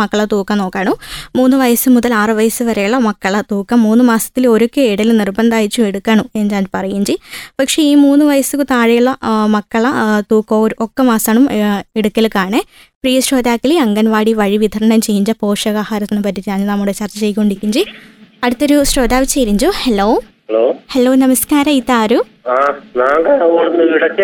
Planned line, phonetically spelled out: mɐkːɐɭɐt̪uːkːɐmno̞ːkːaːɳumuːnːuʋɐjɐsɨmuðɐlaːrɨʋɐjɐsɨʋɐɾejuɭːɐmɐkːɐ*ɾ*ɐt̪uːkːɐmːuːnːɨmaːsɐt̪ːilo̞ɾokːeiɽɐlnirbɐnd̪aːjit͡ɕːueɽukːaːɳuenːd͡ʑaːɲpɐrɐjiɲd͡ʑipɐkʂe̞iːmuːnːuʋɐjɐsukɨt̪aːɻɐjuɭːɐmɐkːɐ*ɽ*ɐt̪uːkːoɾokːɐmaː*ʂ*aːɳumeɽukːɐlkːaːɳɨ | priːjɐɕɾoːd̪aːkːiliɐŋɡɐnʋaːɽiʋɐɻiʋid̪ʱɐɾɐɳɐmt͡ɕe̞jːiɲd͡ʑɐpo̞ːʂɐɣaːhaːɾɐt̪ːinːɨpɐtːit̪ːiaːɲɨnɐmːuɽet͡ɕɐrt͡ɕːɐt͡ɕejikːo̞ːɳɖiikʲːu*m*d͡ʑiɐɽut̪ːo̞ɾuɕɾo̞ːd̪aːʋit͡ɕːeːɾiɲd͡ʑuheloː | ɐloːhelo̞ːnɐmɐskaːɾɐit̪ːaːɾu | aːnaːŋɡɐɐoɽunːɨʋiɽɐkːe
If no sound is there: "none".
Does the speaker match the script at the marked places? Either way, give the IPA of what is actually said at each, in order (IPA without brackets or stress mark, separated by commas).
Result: ɭ, ɭ, s, ɲ